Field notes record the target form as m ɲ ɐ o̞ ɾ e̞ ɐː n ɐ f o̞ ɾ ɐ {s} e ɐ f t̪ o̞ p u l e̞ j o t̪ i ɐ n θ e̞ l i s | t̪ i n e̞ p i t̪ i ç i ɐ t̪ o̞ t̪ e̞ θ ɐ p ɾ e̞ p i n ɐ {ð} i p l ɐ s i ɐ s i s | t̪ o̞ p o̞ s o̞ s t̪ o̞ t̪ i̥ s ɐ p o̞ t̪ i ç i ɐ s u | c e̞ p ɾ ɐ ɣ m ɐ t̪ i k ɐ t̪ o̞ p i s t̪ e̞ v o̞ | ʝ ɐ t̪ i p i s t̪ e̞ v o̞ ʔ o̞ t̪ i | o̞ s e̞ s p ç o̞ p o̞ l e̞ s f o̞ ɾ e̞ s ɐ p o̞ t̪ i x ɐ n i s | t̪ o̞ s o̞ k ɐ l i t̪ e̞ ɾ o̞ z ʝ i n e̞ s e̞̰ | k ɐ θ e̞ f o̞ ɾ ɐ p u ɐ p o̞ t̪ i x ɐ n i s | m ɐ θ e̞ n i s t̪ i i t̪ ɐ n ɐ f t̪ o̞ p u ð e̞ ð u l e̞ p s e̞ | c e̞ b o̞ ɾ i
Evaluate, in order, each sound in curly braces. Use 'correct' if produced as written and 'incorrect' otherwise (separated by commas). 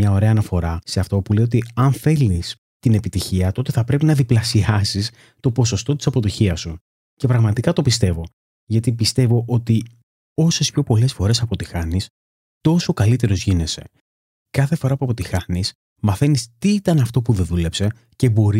correct, correct